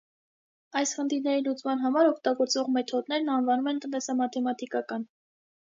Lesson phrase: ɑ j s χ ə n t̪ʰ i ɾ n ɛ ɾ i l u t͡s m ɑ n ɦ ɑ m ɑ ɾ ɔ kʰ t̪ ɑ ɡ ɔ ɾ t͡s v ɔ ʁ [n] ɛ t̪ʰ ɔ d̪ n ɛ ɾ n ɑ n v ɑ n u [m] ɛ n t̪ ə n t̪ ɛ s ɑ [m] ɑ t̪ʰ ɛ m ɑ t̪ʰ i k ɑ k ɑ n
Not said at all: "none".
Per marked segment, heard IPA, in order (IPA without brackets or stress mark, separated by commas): m, m, m